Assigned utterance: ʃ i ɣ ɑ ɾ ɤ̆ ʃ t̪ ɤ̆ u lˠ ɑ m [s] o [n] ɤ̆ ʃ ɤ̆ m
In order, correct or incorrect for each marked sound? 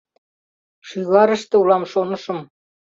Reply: incorrect: ʃ, correct

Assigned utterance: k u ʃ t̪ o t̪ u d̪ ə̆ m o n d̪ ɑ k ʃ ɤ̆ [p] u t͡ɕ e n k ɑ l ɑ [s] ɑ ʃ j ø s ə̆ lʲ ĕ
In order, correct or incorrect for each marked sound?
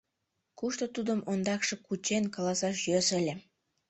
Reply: incorrect: k, correct

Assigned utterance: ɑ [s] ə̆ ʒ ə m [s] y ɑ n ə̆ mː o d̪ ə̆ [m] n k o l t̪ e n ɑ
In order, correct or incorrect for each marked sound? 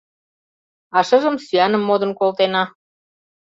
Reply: incorrect: ʃ, correct, incorrect: none

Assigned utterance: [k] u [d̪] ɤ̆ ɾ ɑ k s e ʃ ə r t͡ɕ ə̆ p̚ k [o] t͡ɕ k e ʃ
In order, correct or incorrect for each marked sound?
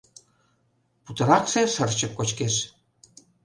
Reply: incorrect: p, incorrect: t̪, correct

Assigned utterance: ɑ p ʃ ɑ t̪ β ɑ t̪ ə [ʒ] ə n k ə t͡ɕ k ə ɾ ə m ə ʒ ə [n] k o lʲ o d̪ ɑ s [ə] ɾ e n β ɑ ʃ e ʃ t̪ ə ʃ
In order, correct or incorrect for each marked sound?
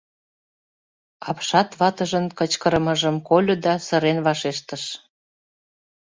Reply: correct, incorrect: m, correct

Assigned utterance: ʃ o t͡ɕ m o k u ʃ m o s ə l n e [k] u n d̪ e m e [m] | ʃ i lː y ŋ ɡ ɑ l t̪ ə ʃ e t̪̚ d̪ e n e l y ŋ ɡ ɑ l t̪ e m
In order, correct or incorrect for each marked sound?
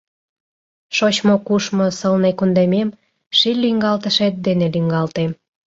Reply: correct, correct

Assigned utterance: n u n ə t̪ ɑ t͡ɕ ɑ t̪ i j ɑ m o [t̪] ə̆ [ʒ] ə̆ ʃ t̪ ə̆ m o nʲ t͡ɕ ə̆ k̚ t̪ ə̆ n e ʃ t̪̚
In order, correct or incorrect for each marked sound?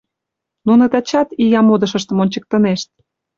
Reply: incorrect: d̪, incorrect: ʃ

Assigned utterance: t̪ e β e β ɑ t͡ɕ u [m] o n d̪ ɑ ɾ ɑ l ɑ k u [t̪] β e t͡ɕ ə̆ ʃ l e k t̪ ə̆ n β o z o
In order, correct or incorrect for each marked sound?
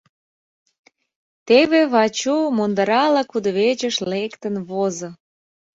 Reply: correct, incorrect: d̪

